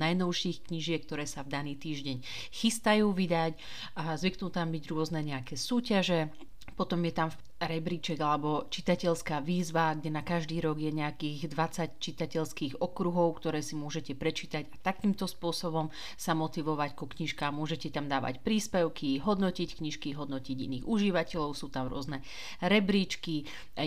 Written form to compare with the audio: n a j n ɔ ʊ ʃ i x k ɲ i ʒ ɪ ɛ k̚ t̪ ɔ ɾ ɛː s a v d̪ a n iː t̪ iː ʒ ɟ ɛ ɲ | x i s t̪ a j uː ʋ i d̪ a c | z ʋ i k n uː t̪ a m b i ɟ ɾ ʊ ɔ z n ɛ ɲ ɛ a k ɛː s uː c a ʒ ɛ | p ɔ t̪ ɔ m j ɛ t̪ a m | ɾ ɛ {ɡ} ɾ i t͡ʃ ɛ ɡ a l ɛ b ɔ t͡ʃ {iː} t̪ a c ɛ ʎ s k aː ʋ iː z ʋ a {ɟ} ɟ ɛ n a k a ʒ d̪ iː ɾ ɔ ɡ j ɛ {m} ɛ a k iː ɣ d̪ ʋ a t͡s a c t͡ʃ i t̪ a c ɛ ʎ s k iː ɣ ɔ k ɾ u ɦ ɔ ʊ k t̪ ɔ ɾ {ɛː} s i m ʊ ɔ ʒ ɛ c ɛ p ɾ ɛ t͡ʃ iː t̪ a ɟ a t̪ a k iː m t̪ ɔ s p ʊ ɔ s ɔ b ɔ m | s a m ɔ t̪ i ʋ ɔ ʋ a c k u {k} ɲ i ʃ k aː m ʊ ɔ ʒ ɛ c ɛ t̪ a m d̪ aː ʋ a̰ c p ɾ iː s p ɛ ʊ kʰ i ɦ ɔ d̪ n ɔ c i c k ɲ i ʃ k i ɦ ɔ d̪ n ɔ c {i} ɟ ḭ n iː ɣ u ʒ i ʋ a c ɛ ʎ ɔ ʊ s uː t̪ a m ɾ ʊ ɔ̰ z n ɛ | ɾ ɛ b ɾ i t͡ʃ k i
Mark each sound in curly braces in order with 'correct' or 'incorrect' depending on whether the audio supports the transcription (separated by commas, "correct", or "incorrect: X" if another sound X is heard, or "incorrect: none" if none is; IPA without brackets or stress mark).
incorrect: b, incorrect: i, incorrect: ɡ, incorrect: ɲ, correct, correct, correct